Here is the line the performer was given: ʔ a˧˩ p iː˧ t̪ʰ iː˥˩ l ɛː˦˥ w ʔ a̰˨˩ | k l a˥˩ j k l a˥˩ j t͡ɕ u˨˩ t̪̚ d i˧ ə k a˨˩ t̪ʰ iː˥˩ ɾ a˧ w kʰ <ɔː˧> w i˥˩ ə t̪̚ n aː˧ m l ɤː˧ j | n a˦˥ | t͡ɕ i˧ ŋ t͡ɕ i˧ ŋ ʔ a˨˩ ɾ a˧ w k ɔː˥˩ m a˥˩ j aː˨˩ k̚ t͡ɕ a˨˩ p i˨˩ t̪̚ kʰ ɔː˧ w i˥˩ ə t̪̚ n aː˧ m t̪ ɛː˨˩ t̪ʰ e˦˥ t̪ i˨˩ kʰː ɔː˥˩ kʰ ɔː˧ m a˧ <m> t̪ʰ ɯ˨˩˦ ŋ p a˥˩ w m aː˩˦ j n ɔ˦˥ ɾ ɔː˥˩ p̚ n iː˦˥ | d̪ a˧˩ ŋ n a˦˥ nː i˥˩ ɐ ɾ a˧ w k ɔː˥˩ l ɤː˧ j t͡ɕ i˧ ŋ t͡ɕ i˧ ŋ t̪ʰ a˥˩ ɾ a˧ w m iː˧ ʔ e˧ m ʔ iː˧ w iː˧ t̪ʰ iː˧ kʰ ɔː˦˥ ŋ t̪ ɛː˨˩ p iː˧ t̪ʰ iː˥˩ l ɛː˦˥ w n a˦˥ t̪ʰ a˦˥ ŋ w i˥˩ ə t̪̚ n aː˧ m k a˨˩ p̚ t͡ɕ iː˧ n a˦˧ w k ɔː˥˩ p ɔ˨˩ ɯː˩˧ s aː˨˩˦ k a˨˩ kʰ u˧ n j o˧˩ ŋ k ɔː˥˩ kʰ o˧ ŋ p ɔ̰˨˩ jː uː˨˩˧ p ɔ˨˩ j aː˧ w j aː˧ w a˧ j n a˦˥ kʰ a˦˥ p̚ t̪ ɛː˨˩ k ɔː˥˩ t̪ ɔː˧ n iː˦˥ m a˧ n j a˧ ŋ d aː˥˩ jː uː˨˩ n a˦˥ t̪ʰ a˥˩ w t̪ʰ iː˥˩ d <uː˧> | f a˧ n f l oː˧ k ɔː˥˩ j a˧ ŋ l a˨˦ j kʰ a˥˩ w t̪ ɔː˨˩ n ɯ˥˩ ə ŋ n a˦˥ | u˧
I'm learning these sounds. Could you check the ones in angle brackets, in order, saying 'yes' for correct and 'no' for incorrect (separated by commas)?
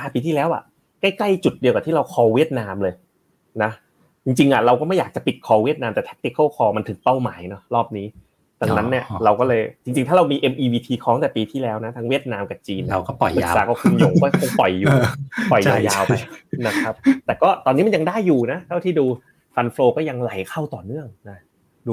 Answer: yes, no, yes